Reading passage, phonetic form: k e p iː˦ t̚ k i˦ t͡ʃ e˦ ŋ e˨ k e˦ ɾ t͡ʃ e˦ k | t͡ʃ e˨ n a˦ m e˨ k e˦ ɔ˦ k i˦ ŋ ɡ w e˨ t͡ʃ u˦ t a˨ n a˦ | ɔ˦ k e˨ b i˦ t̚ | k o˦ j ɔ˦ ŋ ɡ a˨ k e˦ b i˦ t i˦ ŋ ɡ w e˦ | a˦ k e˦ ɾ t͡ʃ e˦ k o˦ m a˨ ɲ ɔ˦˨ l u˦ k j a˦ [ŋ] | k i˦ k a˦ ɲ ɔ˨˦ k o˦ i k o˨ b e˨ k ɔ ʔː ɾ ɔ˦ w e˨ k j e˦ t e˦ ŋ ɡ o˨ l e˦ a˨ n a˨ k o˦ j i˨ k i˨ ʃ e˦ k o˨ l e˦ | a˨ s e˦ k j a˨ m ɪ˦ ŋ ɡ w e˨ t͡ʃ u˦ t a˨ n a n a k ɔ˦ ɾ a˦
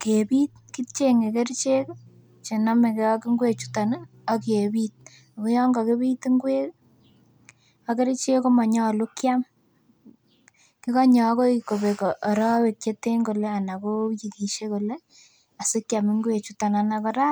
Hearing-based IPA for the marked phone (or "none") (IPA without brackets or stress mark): m